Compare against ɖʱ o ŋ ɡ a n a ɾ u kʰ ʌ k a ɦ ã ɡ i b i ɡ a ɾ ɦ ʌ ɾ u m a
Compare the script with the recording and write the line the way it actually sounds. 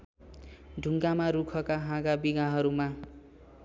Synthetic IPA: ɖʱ u ŋ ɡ a m a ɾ u kʰ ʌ k a ɦ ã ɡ a b i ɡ a ɦ ʌ ɾ u m a